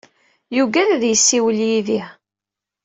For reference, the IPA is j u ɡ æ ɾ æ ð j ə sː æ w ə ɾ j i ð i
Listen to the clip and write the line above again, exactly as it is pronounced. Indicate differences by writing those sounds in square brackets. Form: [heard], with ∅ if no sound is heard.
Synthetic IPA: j u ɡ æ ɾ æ ð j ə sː [i] w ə [l] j i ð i